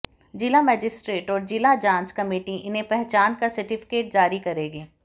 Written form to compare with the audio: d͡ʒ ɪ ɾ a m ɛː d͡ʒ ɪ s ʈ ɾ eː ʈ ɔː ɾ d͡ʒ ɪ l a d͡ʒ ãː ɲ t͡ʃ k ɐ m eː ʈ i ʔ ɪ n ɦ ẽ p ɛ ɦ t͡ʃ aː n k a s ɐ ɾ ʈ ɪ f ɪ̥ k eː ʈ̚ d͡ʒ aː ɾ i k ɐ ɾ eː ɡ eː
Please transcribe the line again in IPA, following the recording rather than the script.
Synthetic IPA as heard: d͡ʒ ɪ l a m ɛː d͡ʒ ɪ s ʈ ɾ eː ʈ ɔː ɾ d͡ʒ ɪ l a d͡ʒ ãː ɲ t͡ʃ k ɐ m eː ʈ i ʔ ɪ n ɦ ẽ p ɛ ɦ t͡ʃ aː n k a s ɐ ɾ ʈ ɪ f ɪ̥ k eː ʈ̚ d͡ʒ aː ɾ i k ɐ ɾ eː ɡ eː